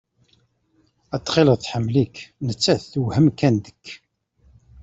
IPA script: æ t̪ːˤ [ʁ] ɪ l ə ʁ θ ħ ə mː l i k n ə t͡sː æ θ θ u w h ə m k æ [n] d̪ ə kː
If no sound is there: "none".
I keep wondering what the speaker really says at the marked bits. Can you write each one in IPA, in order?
χ, n

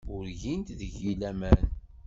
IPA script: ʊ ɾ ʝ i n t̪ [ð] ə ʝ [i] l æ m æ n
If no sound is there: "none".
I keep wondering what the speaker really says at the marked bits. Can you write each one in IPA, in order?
ð, i

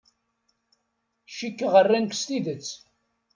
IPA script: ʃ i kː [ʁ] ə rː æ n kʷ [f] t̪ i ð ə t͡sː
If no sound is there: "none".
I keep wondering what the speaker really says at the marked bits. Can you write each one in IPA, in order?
ʁ, s

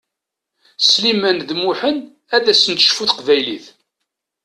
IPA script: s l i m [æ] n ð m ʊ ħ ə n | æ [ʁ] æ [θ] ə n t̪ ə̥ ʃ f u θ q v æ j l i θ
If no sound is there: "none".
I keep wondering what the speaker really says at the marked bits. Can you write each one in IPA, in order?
æ, ð, s

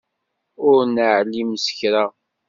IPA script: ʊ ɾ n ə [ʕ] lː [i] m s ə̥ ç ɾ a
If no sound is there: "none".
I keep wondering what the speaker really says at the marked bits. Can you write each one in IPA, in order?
ʕ, i

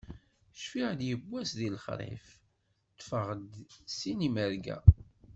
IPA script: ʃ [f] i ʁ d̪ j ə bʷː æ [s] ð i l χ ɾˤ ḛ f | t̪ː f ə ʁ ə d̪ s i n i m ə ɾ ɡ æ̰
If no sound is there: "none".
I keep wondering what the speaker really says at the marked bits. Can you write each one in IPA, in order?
f, s

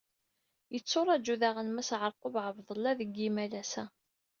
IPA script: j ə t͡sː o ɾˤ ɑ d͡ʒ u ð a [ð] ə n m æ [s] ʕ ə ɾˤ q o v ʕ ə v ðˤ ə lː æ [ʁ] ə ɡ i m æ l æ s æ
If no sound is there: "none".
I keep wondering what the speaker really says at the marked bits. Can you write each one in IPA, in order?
ʁ, s, ð

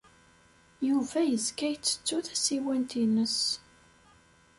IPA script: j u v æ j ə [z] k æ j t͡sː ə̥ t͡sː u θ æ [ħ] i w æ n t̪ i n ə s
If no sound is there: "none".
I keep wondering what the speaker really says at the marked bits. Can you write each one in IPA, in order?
z, s

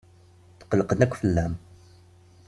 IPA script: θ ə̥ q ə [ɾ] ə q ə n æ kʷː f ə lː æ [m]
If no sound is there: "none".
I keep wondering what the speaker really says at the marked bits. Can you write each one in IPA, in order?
l, m

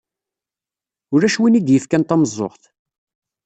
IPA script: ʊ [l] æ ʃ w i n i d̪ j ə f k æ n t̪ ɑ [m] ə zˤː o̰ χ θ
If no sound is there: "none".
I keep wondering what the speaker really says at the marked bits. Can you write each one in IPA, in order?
ɾ, m

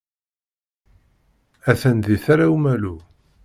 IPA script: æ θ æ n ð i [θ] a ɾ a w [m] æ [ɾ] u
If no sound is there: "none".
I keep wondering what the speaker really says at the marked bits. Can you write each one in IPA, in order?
θ, m, l

